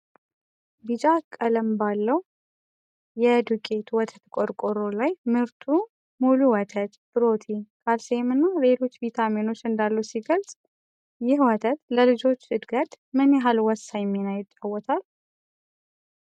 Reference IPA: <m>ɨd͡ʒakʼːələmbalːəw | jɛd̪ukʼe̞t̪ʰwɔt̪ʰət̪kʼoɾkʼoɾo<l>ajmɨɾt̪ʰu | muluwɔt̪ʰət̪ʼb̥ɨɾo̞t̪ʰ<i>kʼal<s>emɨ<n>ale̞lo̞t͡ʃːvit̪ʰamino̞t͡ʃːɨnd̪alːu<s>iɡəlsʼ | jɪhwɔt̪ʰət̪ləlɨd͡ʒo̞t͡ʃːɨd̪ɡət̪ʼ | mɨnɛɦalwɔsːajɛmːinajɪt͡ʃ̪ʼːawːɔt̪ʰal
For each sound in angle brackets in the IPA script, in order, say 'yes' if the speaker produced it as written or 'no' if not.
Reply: no, yes, yes, yes, no, yes

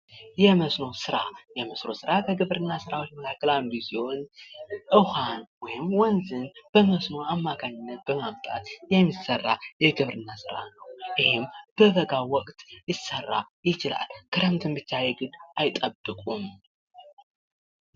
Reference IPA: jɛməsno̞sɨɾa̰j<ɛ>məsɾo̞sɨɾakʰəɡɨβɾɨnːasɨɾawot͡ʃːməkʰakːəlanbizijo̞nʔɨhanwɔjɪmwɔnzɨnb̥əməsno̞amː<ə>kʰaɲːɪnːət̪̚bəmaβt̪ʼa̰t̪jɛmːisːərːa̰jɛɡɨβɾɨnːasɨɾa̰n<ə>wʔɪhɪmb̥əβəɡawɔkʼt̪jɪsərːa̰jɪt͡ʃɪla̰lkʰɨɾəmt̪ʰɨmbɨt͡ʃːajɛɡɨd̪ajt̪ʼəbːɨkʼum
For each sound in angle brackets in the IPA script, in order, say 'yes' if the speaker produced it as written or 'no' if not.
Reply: yes, no, yes

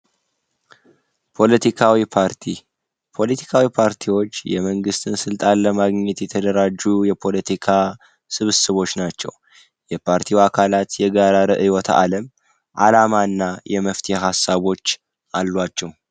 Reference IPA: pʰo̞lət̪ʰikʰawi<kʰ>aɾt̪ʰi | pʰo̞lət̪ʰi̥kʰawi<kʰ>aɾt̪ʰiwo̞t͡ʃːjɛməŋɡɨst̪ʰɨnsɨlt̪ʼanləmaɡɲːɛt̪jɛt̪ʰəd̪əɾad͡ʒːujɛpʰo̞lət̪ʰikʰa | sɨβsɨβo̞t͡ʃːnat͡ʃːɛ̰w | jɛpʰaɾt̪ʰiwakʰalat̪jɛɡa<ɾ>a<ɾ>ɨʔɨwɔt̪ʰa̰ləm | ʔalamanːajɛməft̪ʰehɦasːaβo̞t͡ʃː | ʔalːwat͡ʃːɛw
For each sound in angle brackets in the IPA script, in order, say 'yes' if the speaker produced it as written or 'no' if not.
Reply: no, no, yes, yes

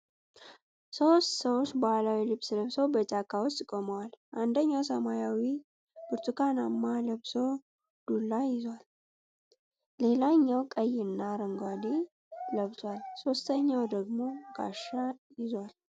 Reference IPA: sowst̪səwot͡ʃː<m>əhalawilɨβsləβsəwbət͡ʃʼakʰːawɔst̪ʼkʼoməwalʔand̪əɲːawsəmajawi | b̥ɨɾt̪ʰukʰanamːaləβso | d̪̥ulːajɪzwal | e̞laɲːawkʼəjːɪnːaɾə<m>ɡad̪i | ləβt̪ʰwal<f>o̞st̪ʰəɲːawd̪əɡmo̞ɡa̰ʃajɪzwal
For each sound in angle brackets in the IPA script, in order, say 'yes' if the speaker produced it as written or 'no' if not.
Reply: no, no, no

